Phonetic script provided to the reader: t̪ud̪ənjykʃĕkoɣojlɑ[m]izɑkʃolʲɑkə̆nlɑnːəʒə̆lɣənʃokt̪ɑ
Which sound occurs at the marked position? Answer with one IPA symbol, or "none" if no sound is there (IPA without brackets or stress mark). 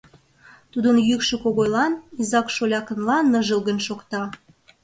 n